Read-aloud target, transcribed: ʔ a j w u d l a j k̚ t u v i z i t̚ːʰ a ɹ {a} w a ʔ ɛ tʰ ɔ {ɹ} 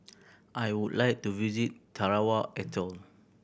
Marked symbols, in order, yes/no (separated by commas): yes, no